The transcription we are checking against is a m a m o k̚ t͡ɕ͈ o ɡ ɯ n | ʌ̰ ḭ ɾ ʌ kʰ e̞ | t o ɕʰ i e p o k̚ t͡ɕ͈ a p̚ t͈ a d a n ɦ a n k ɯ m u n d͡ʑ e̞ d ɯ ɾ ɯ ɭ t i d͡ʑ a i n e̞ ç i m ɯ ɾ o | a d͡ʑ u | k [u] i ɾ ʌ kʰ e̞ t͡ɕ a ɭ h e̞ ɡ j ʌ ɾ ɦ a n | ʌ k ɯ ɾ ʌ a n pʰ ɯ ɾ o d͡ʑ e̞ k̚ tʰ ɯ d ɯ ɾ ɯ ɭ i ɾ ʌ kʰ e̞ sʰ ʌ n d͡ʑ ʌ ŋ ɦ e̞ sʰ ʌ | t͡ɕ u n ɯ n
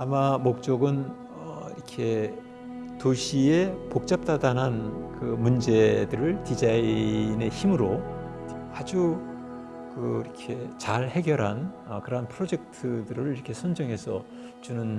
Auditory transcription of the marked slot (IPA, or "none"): ɯ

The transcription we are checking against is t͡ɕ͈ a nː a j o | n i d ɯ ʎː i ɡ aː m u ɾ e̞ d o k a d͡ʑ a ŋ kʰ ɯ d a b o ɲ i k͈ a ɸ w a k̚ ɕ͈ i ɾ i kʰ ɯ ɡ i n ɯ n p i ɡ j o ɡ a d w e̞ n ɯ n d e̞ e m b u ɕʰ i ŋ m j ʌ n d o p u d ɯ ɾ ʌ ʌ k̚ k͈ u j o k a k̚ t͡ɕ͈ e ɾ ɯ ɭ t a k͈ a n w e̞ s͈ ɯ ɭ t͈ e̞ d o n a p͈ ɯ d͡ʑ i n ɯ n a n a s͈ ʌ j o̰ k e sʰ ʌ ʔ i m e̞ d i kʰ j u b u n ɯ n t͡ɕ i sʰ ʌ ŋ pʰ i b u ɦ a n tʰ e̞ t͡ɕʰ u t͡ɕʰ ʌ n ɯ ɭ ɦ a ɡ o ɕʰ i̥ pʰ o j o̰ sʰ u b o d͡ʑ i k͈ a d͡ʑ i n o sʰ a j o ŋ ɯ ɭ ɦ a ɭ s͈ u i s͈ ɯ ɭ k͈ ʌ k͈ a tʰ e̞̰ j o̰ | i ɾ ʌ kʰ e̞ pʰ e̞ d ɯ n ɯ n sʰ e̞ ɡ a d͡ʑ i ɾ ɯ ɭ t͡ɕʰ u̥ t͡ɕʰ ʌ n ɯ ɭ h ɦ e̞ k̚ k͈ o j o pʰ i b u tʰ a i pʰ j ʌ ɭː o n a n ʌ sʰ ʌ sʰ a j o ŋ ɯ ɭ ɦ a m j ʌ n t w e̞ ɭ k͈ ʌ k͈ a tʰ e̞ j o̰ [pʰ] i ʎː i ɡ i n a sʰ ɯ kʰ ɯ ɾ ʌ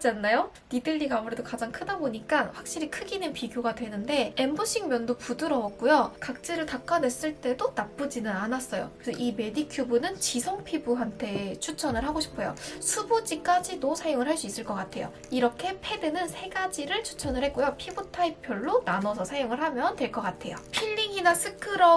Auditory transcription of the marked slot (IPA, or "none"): pʰ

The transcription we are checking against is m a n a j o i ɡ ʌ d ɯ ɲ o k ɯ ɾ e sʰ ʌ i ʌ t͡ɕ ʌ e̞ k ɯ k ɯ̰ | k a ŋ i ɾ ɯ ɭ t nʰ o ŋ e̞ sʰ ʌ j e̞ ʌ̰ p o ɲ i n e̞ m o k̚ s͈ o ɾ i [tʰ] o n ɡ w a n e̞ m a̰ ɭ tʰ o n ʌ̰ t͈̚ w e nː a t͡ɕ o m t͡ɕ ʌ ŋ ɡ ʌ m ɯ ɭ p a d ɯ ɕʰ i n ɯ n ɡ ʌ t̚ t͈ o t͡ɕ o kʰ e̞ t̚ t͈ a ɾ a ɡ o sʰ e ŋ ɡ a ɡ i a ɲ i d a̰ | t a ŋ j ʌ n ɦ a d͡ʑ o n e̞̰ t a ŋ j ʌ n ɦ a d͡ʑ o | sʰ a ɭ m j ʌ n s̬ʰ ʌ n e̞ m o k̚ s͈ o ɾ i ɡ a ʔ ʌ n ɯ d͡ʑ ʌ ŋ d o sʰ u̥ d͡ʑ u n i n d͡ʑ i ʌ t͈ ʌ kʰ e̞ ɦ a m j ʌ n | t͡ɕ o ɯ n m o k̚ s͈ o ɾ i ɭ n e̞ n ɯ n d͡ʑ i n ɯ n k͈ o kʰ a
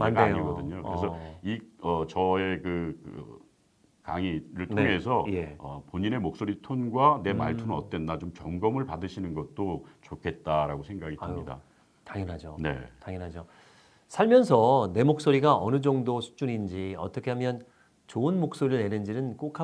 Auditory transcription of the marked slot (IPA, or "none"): tʰ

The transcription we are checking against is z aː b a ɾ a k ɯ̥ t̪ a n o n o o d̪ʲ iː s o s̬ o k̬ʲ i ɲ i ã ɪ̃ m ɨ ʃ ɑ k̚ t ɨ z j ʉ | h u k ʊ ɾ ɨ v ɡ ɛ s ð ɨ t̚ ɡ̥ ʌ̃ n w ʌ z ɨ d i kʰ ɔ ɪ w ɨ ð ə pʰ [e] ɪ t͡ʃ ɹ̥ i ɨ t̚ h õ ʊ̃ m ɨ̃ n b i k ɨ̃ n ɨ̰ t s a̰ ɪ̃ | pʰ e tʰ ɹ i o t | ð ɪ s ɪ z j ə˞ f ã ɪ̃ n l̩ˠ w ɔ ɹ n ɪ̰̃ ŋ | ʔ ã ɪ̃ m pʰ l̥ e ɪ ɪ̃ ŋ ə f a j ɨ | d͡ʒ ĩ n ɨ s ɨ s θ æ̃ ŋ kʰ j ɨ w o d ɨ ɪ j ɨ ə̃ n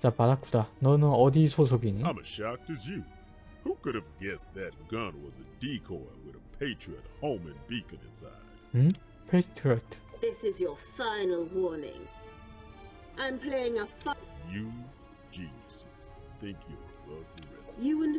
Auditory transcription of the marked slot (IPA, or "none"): e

